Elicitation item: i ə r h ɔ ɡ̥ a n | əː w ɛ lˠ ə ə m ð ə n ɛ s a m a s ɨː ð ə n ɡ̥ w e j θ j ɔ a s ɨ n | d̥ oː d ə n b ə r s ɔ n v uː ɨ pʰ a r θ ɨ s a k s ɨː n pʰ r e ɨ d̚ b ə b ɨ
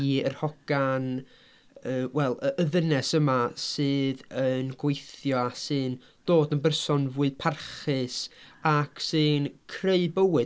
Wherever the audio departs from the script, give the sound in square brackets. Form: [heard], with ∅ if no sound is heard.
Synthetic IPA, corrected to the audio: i ə r h ɔ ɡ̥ a n | əː w ɛ lˠ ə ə [∅] ð ə n ɛ s [ə] m a s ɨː ð ə n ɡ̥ w e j θ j ɔ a s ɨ n | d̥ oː d ə n b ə r s ɔ n v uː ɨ pʰ a r [χ] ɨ s a k s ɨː n [kʰ] r e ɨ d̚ b ə [w] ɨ

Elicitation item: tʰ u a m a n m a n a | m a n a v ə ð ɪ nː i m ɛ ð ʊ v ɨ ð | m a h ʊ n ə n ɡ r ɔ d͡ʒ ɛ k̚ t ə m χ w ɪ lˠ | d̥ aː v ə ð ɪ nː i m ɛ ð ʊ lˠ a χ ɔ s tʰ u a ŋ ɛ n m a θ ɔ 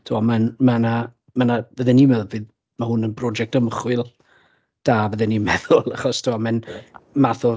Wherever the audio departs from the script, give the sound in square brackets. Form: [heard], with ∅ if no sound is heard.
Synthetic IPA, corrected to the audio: tʰ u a m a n m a n a | m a n a v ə ð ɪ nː i m ɛ ð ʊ v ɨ ð | m a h ʊ n ə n [b] r ɔ d͡ʒ ɛ k̚ t ə m χ w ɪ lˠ | d̥ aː v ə ð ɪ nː i m ɛ ð ʊ lˠ a χ ɔ s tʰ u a [m] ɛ n m a θ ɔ

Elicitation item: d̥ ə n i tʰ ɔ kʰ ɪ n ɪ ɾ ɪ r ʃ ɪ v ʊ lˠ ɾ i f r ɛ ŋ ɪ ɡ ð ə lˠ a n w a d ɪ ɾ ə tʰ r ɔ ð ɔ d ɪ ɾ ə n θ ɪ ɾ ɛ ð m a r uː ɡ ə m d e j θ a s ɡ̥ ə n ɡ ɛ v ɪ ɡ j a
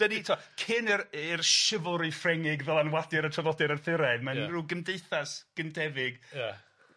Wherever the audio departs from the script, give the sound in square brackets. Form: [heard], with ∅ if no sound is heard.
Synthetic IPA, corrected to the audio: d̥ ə n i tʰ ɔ kʰ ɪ n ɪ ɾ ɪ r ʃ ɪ v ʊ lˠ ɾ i f r ɛ ŋ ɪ ɡ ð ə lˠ a n w a d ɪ ɾ ə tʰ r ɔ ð ɔ d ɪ ɾ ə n θ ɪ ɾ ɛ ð m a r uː ɡ ə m d e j θ a s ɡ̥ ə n [d] ɛ v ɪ ɡ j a

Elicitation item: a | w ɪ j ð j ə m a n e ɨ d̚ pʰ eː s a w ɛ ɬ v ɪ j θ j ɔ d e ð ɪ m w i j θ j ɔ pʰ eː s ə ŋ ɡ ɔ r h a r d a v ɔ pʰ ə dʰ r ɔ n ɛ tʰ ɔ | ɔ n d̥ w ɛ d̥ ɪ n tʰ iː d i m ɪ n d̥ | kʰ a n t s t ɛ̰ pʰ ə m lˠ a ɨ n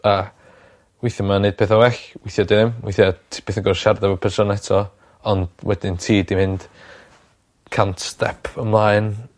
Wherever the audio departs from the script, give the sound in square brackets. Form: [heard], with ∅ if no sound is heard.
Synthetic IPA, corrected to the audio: a | w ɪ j [θ] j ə m a n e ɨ d̚ pʰ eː [θ] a w ɛ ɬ [w] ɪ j θ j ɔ d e ð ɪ m w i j θ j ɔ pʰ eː [θ] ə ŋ ɡ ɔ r [ʃ] a r d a v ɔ pʰ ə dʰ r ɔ n ɛ tʰ ɔ | ɔ n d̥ w ɛ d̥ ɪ n tʰ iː d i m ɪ n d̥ | kʰ a n t s t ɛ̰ pʰ ə m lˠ a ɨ n

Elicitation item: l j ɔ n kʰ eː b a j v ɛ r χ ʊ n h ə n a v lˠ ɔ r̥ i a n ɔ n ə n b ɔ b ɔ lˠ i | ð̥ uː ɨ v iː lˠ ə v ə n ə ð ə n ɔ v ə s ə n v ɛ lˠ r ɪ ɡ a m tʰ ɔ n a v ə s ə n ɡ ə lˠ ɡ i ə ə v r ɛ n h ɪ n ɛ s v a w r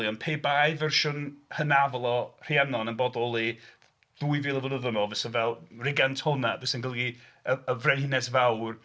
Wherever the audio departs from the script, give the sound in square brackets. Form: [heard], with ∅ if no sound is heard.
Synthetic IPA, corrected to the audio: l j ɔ n [pʰ] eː b a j v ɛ r [ʃ] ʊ n h ə n a v lˠ ɔ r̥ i a n ɔ n ə n b ɔ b ɔ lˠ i | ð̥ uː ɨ v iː lˠ ə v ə n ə ð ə n ɔ v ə s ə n v ɛ lˠ r ɪ ɡ a [n] tʰ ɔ n a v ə s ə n ɡ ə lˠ ɡ i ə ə v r ɛ n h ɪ n ɛ s v a w r

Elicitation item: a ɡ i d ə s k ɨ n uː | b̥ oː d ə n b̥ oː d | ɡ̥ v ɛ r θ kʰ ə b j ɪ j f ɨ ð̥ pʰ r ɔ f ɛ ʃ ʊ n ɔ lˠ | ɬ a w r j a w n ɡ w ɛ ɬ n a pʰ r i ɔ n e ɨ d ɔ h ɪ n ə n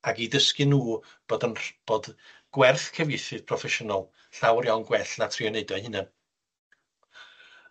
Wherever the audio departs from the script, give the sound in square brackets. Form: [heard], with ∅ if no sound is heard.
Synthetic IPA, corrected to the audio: a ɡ i d ə s k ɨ n uː | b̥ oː d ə n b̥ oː d | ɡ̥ [w] ɛ r θ kʰ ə [v] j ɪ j [θ] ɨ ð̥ pʰ r ɔ f ɛ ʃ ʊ n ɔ lˠ | ɬ a w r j a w n ɡ w ɛ ɬ n a [tʰ] r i ɔ n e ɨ d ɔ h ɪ n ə n

